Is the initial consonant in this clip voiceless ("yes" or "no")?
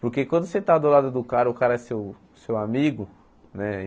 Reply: yes